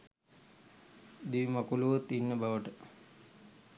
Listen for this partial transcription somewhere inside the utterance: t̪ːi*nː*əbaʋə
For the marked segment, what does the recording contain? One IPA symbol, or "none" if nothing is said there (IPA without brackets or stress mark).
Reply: nː